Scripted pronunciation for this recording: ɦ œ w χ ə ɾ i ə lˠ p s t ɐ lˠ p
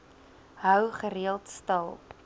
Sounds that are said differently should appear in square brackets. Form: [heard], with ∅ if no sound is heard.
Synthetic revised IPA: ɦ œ w χ ə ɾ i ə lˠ [t] s t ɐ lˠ p